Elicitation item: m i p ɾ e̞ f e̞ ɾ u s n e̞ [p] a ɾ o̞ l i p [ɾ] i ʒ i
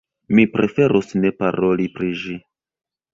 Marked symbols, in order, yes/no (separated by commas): yes, yes